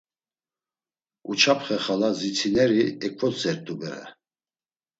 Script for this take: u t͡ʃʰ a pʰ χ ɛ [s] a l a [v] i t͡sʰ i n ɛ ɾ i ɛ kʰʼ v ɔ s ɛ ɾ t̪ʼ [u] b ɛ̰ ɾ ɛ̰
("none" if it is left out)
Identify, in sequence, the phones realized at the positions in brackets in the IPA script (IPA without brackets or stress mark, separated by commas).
χ, z, u